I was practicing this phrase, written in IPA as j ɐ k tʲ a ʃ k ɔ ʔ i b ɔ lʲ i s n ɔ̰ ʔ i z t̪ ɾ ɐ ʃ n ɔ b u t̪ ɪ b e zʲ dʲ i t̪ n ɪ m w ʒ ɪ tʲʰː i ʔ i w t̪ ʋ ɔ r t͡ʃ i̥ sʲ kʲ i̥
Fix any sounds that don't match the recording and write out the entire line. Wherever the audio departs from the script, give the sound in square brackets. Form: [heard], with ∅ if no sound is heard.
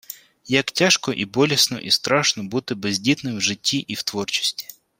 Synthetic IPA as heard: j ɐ k tʲ a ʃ k ɔ ʔ i b ɔ lʲ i s n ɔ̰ ʔ i [s] t̪ ɾ [ɑ] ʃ n ɔ b u t̪ ɪ b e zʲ dʲ i t̪ n ɪ m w ʒ ɪ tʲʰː i ʔ i w t̪ ʋ ɔ r t͡ʃ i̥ sʲ [tʲ] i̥